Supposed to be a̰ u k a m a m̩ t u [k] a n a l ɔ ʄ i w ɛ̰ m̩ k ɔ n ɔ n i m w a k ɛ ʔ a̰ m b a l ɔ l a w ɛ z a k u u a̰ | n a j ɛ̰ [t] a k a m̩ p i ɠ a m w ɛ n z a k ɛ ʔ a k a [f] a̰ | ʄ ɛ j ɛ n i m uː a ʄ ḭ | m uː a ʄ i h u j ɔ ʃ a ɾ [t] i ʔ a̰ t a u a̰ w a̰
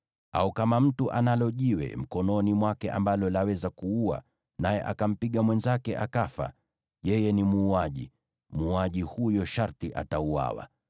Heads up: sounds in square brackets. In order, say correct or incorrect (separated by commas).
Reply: incorrect, incorrect, correct, correct